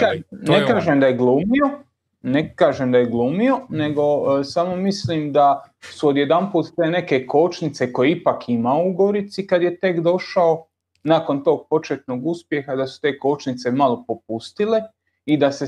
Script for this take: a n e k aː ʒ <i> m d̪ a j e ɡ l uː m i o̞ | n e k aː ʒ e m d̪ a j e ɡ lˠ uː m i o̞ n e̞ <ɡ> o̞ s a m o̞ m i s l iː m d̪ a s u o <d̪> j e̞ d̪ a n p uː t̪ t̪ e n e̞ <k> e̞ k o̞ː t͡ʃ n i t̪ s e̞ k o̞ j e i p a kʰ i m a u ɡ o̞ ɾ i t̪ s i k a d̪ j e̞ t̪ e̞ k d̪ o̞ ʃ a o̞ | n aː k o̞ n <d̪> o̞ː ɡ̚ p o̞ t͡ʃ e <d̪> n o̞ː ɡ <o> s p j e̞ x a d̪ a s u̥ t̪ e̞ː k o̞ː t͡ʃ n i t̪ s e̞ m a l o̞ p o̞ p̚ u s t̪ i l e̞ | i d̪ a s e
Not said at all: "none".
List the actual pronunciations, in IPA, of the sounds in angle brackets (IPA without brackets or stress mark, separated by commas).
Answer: e, ɡ, d̪, k, t̪, t̪, u